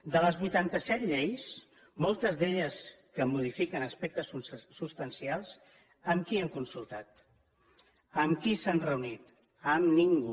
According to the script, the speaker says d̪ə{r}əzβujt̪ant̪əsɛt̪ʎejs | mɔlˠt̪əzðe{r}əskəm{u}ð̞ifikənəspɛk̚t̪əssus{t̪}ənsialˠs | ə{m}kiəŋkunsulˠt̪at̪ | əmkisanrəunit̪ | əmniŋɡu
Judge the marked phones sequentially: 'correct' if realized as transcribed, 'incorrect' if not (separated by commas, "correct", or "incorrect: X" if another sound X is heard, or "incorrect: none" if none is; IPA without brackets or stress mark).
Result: incorrect: l, incorrect: ʎ, correct, correct, correct